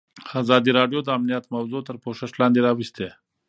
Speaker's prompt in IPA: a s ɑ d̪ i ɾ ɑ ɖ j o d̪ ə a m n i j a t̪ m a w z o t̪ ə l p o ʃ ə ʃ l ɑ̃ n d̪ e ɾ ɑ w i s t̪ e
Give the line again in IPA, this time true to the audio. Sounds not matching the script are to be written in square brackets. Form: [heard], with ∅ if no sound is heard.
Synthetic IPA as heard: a [z] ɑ d̪ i ɾ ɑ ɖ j o d̪ ə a m n i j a t̪ m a w z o t̪ ə [ɾ] p o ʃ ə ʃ l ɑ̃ n d̪ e ɾ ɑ w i s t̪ e